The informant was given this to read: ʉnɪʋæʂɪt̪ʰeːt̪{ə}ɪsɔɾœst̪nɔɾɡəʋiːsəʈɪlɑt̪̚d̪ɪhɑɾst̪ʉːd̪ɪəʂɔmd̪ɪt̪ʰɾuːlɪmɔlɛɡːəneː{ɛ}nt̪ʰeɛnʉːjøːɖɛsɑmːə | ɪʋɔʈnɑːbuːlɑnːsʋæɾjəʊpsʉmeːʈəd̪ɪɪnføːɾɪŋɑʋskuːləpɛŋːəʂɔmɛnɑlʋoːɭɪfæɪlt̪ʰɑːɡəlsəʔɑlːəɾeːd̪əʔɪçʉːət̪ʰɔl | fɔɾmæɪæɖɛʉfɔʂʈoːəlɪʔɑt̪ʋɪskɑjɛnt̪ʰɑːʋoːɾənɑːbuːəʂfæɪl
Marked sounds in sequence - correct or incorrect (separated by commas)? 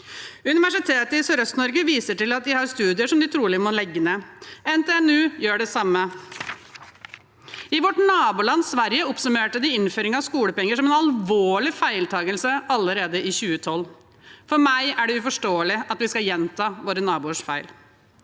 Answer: correct, correct